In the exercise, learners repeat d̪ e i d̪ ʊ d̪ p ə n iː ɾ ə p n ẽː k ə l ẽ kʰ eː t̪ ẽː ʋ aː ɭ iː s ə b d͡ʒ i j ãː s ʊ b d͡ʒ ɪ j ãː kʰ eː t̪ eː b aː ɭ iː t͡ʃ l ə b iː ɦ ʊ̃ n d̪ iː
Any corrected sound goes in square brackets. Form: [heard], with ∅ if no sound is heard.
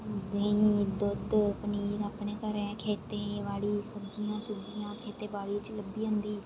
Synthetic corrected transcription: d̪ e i d̪ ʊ d̪ p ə n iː ɾ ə p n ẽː k ə [ɾ] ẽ kʰ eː t̪ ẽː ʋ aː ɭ iː s ə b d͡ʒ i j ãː s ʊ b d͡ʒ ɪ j ãː kʰ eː t̪ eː b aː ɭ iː t͡ʃ l ə b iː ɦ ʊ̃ n d̪ iː